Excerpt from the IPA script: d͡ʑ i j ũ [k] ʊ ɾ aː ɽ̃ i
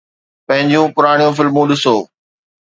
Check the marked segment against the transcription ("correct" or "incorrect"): incorrect